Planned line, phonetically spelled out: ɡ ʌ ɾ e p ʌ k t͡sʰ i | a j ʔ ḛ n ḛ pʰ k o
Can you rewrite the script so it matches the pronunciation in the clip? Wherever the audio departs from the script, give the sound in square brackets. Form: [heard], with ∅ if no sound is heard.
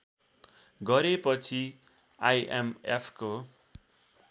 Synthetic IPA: ɡ ʌ ɾ e p ʌ [∅] t͡sʰ i | a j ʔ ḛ [m] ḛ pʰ k o